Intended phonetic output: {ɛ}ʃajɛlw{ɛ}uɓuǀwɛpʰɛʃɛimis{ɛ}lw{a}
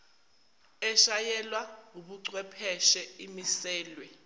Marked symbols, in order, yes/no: yes, no, no, no

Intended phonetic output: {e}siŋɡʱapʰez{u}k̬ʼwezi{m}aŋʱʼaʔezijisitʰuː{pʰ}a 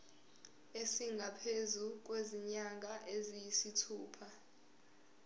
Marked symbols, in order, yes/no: yes, yes, no, yes

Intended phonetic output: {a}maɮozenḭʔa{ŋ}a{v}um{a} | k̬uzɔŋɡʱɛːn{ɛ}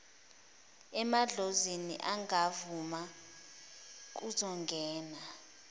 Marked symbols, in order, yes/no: no, yes, yes, yes, no

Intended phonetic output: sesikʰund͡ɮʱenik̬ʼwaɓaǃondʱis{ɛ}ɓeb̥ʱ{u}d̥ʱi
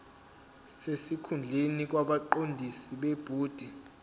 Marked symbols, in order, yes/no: no, no

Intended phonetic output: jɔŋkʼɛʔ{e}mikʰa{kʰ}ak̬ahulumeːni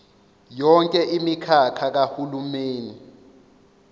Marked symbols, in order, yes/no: no, yes

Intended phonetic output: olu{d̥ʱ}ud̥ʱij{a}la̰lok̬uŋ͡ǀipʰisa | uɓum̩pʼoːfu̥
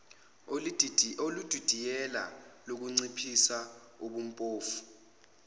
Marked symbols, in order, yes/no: yes, no

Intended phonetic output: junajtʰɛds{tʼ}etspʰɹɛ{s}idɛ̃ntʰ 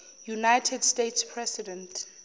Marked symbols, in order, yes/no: no, yes

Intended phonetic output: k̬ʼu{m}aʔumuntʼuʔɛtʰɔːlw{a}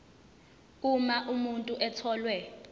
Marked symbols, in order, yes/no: yes, no

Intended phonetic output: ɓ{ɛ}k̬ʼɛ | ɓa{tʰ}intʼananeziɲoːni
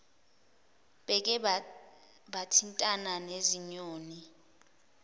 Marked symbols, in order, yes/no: yes, yes

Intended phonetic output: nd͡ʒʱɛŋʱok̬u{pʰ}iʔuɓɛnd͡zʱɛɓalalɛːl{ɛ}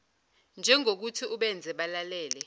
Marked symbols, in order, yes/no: no, yes

